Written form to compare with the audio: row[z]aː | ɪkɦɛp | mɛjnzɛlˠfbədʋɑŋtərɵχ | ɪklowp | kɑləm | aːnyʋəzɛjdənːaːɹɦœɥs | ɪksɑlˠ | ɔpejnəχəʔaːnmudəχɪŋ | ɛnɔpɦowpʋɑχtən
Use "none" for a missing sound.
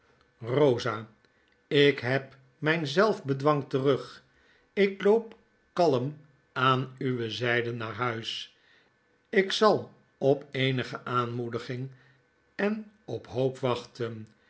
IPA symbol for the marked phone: z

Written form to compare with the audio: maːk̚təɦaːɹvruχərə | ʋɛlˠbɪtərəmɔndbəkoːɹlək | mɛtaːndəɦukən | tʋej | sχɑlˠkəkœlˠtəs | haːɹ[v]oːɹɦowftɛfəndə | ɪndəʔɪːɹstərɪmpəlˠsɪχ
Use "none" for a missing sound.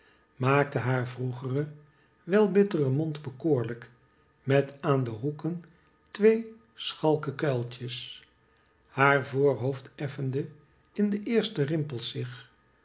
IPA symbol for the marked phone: v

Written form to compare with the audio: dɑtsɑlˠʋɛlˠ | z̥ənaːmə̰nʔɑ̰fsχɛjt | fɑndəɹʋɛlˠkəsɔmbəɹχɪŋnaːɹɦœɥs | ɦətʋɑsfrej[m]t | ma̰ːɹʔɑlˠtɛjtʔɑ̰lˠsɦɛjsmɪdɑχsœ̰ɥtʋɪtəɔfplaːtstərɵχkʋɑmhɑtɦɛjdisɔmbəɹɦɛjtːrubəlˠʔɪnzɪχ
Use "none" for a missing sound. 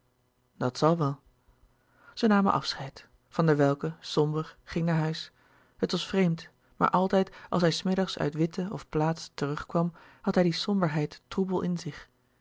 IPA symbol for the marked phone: m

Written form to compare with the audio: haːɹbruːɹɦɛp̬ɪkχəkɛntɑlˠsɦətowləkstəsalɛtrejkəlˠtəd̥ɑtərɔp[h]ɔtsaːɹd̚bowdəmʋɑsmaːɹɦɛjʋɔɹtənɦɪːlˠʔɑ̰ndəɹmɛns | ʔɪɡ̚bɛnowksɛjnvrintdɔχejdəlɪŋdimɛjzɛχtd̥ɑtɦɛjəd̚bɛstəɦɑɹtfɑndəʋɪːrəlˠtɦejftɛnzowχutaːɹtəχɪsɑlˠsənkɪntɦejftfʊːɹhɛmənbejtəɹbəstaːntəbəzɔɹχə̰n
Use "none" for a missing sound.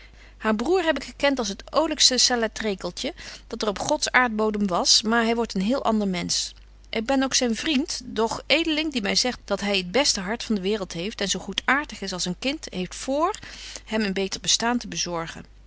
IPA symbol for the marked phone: χ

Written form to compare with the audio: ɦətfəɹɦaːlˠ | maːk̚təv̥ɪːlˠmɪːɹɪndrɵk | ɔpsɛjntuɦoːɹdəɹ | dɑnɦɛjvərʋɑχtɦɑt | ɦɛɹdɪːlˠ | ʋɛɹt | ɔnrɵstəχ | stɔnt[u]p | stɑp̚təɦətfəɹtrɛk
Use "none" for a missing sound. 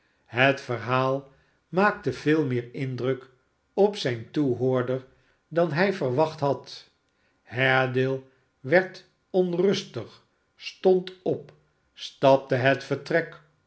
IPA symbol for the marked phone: ɔ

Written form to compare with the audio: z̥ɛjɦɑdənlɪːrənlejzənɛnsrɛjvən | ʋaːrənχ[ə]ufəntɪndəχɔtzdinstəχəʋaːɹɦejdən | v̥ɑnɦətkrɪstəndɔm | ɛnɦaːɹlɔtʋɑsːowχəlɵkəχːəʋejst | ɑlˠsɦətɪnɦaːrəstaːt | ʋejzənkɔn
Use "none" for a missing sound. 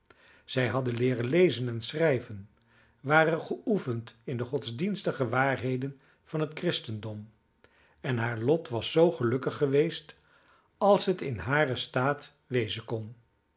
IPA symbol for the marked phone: ə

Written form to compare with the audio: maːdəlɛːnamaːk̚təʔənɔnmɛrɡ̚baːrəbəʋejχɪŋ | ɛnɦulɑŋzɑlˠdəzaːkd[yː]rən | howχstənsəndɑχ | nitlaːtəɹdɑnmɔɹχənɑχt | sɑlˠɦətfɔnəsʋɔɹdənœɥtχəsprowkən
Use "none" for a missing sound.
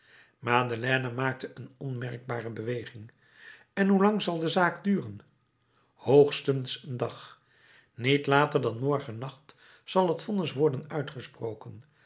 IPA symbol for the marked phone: yː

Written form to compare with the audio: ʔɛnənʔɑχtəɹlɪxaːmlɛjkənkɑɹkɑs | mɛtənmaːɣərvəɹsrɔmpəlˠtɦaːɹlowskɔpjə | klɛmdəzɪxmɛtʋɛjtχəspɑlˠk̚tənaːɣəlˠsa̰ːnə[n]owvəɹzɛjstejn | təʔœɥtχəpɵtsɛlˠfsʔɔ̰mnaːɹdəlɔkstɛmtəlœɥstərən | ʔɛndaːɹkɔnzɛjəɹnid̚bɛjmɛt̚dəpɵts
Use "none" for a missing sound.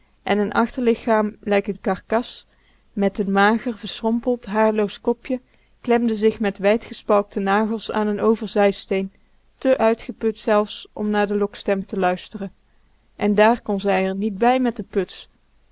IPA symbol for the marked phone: n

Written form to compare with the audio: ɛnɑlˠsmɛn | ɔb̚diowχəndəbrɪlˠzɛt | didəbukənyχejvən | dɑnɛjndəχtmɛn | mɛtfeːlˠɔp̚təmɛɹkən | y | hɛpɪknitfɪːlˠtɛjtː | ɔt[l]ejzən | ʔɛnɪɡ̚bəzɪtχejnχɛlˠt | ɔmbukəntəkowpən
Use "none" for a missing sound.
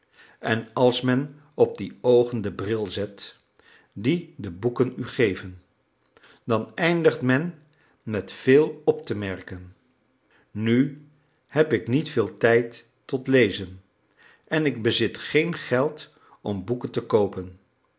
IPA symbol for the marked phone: l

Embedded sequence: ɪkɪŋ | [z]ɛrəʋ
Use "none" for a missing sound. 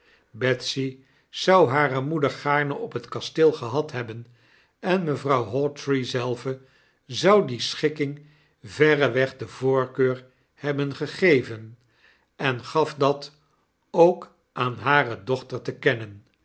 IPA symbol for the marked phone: v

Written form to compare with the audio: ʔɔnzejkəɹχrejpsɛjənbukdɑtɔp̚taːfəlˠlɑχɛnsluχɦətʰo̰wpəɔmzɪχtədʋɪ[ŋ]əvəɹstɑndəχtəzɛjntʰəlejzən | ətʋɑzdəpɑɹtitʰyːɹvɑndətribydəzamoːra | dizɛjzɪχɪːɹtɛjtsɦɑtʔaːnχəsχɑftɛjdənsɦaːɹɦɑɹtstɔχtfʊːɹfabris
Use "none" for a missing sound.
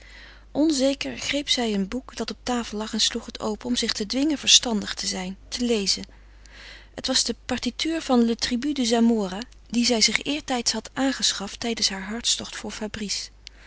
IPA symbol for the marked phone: ŋ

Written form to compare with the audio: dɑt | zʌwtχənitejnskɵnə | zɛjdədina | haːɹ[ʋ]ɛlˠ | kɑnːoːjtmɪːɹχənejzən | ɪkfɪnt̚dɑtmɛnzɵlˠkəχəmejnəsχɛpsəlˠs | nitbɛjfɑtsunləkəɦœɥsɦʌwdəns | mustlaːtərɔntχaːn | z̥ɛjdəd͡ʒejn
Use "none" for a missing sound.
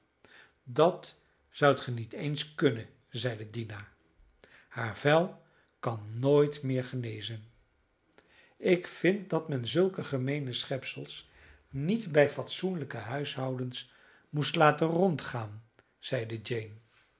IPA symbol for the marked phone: v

